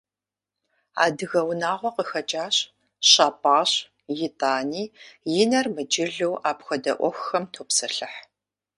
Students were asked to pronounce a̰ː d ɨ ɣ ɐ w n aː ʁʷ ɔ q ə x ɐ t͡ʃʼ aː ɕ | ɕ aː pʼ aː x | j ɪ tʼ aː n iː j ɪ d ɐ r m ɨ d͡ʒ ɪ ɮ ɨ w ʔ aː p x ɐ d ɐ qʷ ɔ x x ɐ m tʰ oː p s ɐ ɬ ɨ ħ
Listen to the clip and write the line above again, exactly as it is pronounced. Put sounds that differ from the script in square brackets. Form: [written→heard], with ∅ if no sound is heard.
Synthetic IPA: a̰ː d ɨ ɣ ɐ w n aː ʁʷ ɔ q ə x ɐ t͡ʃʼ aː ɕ | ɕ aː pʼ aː [x→ɕ] | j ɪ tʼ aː n iː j ɪ [d→n] ɐ r m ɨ d͡ʒ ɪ ɮ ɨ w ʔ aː p x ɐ d ɐ [qʷ→ʔʷ] ɔ x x ɐ m tʰ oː p s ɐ ɬ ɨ ħ